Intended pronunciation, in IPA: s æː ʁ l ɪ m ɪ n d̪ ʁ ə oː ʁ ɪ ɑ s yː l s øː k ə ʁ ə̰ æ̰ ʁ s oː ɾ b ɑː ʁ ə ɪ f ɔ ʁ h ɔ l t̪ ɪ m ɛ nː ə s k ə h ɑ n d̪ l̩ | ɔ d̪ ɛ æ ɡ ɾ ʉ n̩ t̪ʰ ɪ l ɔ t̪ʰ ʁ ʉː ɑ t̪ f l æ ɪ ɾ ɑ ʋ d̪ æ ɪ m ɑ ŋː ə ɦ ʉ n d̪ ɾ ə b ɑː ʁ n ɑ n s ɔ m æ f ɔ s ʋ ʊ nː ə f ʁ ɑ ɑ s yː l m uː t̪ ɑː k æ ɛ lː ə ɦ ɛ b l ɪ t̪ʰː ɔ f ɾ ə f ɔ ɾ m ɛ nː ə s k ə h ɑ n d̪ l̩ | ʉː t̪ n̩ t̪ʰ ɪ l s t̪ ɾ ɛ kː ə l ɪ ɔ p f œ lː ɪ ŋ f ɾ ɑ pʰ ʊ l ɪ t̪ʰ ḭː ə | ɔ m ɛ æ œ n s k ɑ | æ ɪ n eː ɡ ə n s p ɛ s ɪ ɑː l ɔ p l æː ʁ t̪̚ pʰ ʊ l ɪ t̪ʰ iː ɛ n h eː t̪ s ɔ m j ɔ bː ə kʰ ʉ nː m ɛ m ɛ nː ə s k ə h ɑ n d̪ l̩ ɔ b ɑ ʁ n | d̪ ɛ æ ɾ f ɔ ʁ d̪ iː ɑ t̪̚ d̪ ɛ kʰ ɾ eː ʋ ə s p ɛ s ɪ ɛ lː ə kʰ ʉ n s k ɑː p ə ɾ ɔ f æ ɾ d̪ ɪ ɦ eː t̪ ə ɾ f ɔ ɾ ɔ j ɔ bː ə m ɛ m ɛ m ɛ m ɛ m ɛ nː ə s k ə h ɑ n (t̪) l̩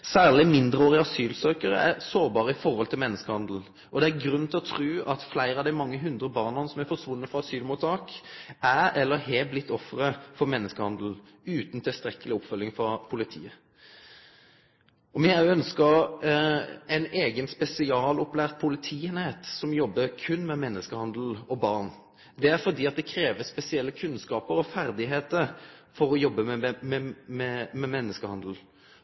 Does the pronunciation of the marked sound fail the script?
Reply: yes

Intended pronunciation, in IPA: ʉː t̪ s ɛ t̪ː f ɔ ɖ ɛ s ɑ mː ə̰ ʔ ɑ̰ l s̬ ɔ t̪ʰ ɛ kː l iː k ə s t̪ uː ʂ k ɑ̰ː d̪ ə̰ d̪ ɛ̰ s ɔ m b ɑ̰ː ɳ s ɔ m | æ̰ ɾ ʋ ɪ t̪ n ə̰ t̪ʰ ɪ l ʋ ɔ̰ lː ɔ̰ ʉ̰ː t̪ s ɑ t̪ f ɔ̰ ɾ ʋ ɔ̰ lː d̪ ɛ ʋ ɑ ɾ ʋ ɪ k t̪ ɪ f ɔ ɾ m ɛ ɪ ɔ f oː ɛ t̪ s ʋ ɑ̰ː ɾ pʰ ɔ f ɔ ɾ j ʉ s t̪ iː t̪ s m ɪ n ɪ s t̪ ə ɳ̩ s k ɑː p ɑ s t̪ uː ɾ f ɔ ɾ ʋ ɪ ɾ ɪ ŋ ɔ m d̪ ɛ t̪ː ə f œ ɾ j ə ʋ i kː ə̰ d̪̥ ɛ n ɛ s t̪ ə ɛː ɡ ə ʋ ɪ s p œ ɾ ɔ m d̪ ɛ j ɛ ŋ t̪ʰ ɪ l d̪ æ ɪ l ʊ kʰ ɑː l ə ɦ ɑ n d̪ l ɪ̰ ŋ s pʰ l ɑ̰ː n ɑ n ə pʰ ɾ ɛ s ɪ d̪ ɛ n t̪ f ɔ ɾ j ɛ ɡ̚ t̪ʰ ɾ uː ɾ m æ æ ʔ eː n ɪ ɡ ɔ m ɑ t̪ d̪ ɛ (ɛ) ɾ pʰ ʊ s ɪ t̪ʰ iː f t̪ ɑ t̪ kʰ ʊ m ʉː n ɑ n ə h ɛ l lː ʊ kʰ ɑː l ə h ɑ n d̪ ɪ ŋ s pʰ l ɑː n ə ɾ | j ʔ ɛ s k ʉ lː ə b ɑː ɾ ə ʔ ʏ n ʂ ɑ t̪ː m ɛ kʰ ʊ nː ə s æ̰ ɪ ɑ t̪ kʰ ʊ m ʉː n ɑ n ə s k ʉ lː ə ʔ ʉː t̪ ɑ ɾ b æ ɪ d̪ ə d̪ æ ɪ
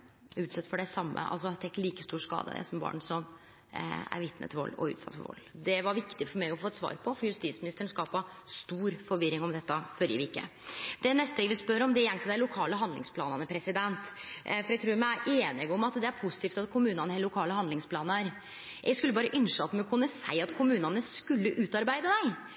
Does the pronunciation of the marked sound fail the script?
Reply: yes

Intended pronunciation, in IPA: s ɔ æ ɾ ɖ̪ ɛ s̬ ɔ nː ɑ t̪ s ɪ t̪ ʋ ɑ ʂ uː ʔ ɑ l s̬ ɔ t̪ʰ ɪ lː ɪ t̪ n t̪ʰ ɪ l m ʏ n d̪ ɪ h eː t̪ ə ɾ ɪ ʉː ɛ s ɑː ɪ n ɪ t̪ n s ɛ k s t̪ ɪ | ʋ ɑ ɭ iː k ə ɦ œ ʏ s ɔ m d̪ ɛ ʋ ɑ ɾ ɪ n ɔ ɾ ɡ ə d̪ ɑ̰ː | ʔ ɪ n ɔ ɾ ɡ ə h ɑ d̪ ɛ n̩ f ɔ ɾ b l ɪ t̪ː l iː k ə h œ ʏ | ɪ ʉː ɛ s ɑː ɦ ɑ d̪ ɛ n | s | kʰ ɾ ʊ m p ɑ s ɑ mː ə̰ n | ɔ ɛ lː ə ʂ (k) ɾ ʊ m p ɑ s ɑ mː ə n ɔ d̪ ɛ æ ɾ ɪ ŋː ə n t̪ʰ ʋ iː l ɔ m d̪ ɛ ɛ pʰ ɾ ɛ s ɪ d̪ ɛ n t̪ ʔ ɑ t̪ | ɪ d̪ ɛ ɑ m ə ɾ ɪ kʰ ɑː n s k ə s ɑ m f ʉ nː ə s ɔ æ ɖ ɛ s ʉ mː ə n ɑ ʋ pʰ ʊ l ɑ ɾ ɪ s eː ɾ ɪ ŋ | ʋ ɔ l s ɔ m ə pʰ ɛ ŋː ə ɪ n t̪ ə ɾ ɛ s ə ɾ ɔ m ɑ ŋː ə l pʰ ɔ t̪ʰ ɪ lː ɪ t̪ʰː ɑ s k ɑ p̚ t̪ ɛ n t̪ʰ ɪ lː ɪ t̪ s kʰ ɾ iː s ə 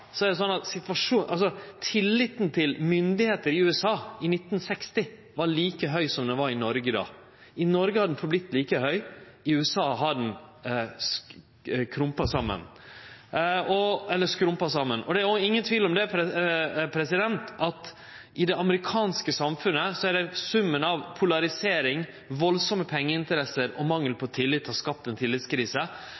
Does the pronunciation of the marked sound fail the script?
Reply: no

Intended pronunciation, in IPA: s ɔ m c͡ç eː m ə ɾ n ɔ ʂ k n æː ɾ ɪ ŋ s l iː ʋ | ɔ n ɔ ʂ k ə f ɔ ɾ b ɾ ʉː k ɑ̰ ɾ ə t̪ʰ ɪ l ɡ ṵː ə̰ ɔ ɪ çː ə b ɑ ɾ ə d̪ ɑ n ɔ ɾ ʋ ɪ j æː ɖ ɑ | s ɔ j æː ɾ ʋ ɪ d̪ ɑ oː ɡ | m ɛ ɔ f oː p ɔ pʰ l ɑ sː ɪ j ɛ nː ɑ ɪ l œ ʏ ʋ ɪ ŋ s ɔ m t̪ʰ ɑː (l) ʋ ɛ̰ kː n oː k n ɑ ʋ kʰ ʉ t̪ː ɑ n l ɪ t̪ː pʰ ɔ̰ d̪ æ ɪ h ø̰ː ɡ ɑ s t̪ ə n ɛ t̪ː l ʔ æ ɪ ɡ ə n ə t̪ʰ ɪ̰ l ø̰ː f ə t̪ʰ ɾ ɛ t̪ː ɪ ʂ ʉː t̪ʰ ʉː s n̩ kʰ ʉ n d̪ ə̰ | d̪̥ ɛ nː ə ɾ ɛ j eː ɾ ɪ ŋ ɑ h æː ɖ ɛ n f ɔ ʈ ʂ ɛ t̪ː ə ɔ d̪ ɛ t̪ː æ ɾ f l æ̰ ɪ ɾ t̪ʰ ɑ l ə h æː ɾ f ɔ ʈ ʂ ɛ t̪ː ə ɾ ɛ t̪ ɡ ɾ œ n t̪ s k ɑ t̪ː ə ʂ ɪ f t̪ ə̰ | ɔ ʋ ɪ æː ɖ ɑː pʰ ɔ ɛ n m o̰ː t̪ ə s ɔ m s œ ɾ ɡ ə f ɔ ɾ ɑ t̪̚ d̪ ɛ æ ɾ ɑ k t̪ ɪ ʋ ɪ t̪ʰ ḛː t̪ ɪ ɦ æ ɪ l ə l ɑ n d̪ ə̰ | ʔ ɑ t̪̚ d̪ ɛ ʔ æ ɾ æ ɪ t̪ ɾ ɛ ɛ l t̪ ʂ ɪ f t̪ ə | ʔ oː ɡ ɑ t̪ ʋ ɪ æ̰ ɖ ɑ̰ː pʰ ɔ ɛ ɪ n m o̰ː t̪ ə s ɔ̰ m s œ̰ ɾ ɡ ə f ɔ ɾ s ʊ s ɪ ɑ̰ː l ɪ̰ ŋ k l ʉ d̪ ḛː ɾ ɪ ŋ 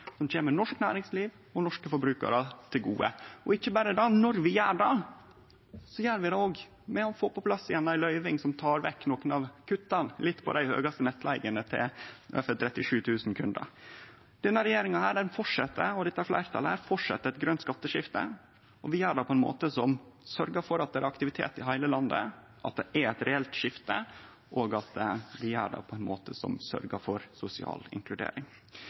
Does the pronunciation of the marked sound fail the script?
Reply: yes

